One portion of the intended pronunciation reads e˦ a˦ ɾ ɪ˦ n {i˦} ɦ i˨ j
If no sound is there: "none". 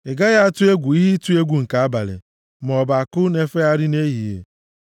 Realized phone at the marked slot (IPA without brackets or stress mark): e˦